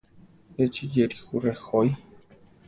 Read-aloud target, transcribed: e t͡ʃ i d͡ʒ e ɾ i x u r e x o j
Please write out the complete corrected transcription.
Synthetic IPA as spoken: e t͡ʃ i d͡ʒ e ɾ i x u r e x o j